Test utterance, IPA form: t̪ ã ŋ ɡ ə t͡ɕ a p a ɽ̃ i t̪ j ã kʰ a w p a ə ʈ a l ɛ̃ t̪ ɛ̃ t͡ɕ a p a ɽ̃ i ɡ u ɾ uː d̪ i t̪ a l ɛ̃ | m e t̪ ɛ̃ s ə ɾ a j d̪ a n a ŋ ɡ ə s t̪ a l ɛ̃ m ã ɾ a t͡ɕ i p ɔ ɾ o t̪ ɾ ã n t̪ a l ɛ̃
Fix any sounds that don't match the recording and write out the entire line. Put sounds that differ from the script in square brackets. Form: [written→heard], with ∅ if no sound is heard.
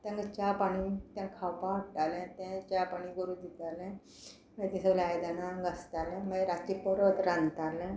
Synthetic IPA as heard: t̪ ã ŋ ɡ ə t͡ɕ a p a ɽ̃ i t̪ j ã kʰ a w p a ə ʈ a l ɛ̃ t̪ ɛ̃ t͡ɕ a p a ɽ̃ i ɡ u ɾ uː d̪ i t̪ a l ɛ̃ | m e t̪ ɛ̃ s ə [ɾ→l] a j d̪ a n a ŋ ɡ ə s t̪ a l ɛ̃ m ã ɾ a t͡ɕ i p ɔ ɾ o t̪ ɾ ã n t̪ a l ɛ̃

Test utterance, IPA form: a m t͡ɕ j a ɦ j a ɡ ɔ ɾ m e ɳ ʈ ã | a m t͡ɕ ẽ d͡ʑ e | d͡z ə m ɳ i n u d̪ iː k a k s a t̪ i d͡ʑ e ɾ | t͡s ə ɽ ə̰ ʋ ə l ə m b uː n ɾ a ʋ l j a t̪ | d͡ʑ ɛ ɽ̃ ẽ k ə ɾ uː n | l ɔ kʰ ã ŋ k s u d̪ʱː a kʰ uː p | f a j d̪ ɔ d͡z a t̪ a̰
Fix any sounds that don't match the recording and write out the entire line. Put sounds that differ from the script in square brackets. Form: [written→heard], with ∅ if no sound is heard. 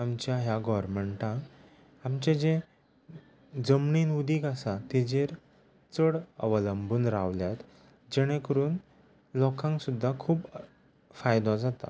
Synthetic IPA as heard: a m t͡ɕ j a ɦ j a ɡ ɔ ɾ m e ɳ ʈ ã | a m t͡ɕ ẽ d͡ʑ e | d͡z ə m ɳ i n u d̪ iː k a [k→∅] s a t̪ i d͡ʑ e ɾ | t͡s ə ɽ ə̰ ʋ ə l ə m b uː n ɾ a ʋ l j a t̪ | d͡ʑ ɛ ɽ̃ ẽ k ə ɾ uː n | l ɔ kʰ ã ŋ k s u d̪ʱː a kʰ uː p | f a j d̪ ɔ d͡z a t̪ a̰

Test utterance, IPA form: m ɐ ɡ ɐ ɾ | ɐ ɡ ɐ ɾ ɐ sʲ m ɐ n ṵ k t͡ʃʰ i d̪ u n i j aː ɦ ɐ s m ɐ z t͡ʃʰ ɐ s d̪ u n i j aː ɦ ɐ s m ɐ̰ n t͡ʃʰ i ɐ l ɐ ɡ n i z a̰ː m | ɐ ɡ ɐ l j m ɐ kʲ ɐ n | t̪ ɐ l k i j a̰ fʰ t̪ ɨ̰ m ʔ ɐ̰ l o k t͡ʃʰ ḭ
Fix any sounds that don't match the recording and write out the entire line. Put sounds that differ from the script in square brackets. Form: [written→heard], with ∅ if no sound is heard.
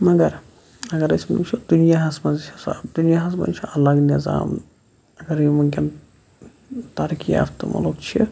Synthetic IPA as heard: m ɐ ɡ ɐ ɾ | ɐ ɡ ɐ ɾ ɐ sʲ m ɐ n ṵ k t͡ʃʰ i d̪ u n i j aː ɦ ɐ s m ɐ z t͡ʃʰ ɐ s d̪ u n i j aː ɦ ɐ s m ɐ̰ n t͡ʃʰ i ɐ l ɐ ɡ n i z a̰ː m | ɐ ɡ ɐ [l→ɾ] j m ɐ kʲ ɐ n | t̪ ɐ [l→ɾ] k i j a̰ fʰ t̪ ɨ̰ m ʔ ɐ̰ l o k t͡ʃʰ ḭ

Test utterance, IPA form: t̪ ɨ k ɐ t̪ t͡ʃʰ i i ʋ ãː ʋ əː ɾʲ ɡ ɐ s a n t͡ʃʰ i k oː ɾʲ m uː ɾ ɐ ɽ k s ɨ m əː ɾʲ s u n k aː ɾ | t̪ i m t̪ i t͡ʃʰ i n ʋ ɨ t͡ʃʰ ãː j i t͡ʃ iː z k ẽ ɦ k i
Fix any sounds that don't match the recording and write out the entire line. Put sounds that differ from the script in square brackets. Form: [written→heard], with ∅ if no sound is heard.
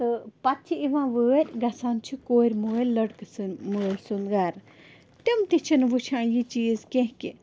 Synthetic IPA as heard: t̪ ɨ [k→p] ɐ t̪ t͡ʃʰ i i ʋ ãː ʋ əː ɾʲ ɡ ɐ s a n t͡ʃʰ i k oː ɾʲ m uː [ɾ→l] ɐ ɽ k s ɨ m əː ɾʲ s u n [k→ɡ] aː ɾ | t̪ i m t̪ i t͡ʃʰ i n ʋ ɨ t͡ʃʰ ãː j i t͡ʃ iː z k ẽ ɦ k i

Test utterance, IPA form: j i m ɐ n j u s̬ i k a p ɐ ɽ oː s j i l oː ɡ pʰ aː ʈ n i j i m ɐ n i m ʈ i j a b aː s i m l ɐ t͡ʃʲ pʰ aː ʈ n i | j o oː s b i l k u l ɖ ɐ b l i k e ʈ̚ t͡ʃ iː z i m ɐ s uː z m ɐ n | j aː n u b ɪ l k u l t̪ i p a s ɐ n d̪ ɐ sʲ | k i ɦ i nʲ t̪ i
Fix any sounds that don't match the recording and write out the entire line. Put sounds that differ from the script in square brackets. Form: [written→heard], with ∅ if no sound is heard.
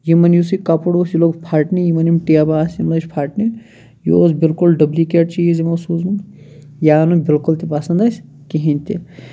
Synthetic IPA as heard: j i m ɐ n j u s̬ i k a p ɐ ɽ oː s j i l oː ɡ pʰ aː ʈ n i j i m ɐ n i m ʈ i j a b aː s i m l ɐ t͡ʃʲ pʰ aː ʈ n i | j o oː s b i l k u l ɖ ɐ b l i k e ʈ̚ t͡ʃ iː z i m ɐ s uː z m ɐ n | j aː n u b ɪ l k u l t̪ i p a s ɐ n d̪ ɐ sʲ | k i ɦ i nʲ t̪ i

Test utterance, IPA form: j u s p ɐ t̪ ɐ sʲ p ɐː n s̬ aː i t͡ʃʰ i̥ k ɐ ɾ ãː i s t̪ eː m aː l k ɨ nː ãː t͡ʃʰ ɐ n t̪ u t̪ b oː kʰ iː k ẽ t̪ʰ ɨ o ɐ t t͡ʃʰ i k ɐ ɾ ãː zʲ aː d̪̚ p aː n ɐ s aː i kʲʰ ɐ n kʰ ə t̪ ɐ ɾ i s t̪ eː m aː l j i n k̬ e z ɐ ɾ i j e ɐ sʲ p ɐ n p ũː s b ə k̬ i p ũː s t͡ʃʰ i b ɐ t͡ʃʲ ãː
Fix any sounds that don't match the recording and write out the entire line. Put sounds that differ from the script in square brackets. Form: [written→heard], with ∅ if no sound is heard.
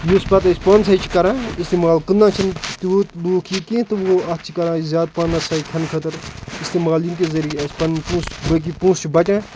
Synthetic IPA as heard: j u s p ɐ t̪ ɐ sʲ p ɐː n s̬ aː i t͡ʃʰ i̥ k ɐ ɾ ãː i s t̪ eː m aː l k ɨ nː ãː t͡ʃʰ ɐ n t̪ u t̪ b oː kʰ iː k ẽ [t̪ʰ→t̪] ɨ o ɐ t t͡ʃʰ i k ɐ ɾ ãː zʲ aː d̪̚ p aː n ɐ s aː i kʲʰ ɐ n kʰ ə t̪ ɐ ɾ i s t̪ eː m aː l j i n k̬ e z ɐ ɾ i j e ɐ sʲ p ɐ n p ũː s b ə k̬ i p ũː s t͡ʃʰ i b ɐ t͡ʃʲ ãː

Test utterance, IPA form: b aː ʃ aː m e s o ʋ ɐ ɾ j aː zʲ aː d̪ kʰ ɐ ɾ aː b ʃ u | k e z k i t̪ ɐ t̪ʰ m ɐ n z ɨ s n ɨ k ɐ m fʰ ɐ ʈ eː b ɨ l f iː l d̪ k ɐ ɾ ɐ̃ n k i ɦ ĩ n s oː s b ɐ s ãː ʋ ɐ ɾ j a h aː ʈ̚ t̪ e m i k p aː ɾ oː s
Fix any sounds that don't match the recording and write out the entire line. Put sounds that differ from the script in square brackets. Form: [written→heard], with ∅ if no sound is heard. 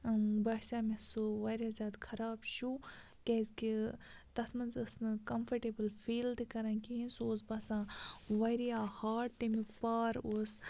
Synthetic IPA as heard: b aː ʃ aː m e s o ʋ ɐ ɾ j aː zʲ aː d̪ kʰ ɐ ɾ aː b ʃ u | k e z k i t̪ ɐ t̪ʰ m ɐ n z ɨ s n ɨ k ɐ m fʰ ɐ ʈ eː b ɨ l f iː l d̪ k ɐ ɾ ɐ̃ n k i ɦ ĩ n s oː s b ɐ s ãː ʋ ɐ ɾ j a h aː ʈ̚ t̪ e m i k p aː ɾ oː s

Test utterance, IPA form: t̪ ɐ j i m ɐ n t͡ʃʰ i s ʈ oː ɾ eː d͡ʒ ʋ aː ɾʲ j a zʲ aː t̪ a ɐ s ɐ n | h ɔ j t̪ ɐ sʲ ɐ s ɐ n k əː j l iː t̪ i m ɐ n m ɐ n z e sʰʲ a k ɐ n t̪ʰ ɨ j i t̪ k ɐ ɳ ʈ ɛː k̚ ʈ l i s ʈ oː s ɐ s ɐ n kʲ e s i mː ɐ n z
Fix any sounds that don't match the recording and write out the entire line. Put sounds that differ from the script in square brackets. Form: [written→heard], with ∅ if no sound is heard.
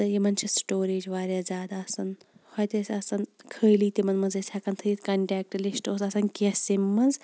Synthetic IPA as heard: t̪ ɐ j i m ɐ n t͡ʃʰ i s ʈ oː ɾ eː d͡ʒ ʋ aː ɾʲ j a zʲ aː [t̪→d̪] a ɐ s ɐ n | h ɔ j t̪ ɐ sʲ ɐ s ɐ n [k→kʰ] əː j l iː t̪ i m ɐ n m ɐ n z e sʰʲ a k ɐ n t̪ʰ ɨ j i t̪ k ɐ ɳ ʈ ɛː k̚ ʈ l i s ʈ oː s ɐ s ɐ n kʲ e s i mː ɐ n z

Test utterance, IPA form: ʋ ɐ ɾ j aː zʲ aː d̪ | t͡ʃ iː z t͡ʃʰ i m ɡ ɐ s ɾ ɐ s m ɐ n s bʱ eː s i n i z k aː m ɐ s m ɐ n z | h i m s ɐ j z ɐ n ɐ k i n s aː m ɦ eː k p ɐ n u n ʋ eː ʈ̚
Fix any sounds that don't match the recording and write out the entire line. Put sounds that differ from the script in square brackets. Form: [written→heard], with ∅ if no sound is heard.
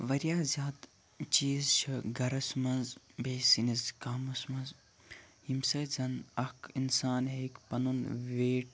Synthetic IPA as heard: ʋ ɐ ɾ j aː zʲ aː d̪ | t͡ʃ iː z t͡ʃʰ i [m→∅] ɡ ɐ [s→∅] ɾ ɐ s m ɐ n [s→z] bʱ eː s i n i z k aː m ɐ s m ɐ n z | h i m s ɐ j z ɐ n ɐ k i n s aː [m→n] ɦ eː k p ɐ n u n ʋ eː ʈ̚

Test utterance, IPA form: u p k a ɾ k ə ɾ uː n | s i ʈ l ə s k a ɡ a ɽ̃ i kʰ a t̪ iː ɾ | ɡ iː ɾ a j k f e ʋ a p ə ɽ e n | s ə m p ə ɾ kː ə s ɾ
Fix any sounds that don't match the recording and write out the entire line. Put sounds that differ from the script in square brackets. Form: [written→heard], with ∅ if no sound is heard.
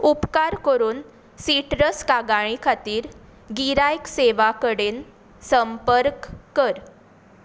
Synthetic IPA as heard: u p k a ɾ k ə ɾ uː n | s i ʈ [l→ɾ] ə s k a ɡ a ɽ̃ i kʰ a t̪ iː ɾ | ɡ [iː→i] ɾ a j k [f→s] e ʋ a [p→k] ə ɽ e n | s ə m p ə ɾ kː ə [s→∅] ɾ

